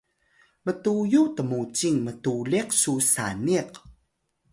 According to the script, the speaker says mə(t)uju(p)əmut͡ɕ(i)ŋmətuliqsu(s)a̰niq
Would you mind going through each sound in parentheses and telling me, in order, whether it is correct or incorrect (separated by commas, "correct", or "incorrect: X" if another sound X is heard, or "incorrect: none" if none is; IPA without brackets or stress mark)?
correct, incorrect: t, correct, correct